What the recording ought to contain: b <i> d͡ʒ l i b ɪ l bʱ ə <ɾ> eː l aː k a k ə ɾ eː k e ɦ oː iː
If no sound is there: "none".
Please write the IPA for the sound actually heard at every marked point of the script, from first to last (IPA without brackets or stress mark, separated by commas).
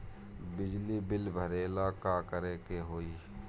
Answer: ɪ, ɾ